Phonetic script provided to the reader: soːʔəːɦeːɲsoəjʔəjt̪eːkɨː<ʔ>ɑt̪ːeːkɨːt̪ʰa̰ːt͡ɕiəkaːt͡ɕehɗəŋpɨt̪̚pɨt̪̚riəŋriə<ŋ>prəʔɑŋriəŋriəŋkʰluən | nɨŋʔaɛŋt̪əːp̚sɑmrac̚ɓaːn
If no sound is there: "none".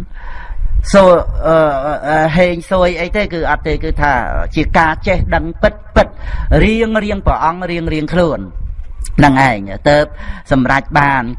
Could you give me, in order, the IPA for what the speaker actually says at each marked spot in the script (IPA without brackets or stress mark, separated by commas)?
ʔ, ŋ